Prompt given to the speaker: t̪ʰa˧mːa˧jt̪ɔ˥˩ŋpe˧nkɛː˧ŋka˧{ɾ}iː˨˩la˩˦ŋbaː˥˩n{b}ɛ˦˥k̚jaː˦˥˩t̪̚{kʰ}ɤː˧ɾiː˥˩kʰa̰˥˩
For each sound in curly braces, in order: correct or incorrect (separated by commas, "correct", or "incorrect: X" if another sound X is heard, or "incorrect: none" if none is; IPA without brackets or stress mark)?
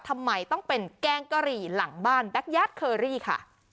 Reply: correct, correct, correct